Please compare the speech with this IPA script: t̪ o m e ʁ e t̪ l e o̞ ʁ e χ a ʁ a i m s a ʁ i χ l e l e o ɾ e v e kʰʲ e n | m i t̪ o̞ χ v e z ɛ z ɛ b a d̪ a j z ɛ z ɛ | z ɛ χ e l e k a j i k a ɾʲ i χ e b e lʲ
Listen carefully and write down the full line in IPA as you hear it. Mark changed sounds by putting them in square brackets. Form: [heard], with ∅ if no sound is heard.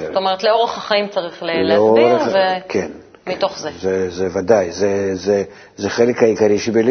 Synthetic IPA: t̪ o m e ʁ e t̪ l e o̞ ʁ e χ a [χ] a i m [t͡s] a ʁ i χ l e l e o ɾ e v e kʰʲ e n | m i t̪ o̞ χ [z] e z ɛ z ɛ [v] a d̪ a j z ɛ z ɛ | z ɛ χ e l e k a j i k a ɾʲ i [ʃ] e b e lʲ